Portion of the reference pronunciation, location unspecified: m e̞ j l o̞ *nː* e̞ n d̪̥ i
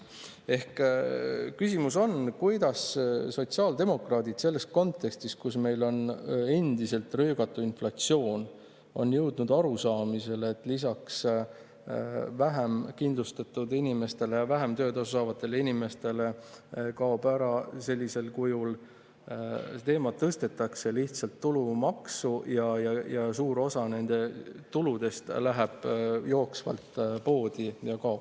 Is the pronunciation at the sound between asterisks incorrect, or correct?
incorrect